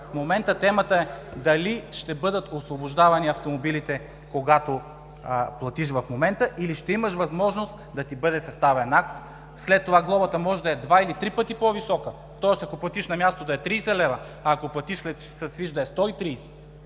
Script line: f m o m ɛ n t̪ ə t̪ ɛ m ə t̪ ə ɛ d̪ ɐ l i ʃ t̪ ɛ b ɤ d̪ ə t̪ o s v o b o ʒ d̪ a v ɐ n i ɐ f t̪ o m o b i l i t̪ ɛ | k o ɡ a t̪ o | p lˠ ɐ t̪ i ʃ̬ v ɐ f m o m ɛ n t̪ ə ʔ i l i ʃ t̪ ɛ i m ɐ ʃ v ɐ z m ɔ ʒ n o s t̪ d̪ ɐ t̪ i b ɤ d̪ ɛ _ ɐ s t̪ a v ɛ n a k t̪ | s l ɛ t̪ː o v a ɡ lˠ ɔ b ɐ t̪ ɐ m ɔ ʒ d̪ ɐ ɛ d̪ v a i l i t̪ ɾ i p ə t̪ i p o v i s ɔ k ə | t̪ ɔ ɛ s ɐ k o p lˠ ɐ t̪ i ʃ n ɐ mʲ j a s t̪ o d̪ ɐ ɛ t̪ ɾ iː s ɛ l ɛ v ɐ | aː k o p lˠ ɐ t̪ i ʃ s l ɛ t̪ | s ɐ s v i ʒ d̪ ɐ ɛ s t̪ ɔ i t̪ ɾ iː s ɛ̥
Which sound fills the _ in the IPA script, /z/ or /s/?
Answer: s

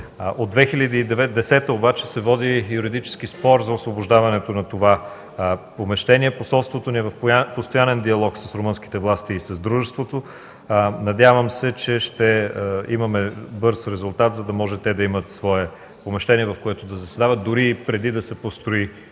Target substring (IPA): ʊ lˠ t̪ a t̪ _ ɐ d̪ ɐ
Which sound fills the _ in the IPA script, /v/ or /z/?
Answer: z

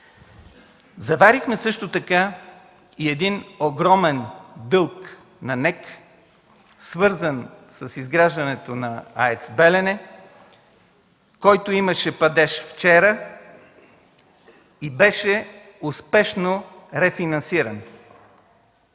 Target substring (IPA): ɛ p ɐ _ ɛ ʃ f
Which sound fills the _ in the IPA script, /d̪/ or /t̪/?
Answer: d̪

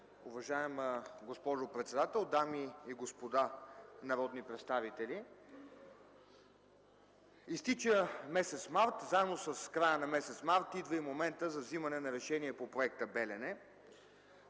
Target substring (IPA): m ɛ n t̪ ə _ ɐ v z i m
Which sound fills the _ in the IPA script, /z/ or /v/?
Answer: z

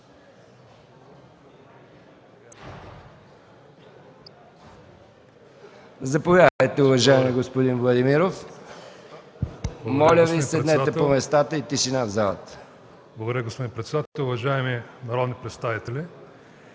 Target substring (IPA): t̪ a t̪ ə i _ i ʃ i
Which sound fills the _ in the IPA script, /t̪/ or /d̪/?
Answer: t̪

